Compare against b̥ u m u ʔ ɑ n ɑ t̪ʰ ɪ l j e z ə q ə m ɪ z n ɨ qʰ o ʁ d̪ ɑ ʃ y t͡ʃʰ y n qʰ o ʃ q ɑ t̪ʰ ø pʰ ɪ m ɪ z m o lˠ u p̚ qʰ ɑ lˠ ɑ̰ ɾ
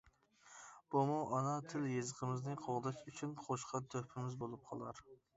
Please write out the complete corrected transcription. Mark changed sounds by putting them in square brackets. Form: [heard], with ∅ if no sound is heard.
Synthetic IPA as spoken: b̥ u m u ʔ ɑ n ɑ t̪ʰ ɪ l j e z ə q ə m ɪ z n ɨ qʰ o ʁ d̪ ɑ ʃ y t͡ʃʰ y n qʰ o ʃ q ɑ t̪ʰ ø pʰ ɪ m ɪ z [b] o lˠ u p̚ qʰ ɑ lˠ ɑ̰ ɾ